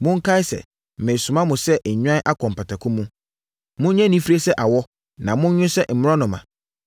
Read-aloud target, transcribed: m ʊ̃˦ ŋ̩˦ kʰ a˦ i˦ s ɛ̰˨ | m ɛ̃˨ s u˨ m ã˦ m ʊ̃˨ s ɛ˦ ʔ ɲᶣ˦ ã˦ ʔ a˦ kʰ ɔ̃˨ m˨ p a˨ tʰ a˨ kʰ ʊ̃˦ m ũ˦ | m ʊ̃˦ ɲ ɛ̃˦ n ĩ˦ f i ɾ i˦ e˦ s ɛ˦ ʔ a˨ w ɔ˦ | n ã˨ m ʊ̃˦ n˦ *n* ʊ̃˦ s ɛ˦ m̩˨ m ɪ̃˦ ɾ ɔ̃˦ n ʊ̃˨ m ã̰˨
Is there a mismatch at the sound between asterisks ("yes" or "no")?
yes